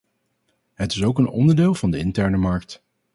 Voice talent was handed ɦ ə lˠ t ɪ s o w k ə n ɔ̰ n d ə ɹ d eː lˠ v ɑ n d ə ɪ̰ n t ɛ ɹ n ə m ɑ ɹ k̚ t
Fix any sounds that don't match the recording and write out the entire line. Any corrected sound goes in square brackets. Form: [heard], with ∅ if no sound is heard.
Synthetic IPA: ɦ ə [∅] t ɪ s o w k ə n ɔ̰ n d ə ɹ d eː lˠ v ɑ n d ə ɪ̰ n t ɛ ɹ n ə m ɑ ɹ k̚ t